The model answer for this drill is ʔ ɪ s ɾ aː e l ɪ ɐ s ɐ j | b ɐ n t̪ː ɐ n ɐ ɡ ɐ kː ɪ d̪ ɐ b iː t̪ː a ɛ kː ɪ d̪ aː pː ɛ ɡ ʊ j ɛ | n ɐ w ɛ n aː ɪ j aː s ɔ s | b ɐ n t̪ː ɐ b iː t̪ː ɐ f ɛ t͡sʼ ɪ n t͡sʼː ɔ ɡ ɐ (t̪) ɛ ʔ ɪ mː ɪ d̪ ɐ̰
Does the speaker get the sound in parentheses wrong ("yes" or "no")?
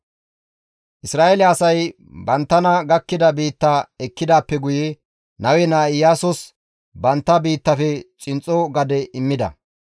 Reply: yes